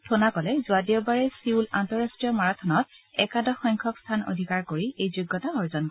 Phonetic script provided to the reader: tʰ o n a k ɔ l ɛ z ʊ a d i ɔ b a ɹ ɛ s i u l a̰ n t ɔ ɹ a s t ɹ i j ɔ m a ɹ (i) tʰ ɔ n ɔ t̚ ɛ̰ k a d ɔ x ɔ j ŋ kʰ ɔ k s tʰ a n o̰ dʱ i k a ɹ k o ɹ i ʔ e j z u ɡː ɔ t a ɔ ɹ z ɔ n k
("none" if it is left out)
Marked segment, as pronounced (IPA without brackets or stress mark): a